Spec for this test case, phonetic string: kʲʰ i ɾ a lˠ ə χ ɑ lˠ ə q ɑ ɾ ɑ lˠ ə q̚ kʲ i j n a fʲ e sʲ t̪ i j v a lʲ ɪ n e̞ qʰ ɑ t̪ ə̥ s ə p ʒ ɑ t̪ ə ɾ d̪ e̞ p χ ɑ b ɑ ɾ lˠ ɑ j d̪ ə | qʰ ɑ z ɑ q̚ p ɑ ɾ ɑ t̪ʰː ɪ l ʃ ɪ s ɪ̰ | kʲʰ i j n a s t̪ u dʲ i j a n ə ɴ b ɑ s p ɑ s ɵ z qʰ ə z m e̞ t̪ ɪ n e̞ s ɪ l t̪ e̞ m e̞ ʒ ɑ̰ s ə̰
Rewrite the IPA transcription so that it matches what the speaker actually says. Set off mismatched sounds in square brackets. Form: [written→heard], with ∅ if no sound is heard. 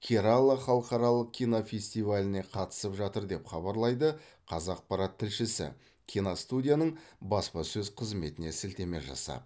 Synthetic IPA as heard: kʲʰ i ɾ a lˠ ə χ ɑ lˠ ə q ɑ ɾ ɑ lˠ ə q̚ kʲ i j n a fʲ e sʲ t̪ i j v a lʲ ɪ n e̞ qʰ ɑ t̪ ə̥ s ə p ʒ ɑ t̪ ə ɾ d̪ e̞ p χ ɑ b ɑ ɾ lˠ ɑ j d̪ ə | qʰ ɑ z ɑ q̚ p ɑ ɾ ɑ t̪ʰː ɪ l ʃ ɪ s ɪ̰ | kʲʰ i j n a s t̪ u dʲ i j a n ə ɴ b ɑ s p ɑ s ɵ z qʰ ə z m e̞ t̪ ɪ n e̞ s ɪ l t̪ e̞ m e̞ ʒ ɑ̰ s [ə̰→ɑ̰]